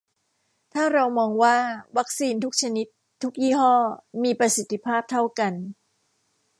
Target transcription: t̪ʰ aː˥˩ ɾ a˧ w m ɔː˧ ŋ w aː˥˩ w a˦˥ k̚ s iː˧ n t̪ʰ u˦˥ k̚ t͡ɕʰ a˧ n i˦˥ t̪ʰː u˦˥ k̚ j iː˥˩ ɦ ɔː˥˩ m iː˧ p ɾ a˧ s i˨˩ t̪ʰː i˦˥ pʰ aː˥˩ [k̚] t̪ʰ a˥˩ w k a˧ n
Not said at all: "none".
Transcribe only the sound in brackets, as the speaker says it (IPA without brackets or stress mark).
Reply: p̚